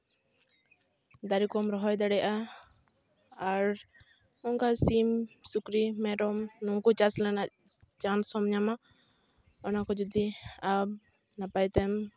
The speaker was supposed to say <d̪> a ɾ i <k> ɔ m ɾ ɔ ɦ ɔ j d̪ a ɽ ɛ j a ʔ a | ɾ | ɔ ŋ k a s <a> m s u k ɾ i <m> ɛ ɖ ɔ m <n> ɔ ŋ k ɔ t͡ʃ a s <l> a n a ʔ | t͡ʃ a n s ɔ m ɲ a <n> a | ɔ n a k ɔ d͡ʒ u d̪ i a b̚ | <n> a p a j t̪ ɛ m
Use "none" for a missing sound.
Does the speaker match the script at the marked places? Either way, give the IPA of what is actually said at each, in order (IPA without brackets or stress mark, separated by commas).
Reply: d̪, k, i, m, n, l, m, n